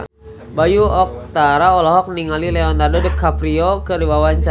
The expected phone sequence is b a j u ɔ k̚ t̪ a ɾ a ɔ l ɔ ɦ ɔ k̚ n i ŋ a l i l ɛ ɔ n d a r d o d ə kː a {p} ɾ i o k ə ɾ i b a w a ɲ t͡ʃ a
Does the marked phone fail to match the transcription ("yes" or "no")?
no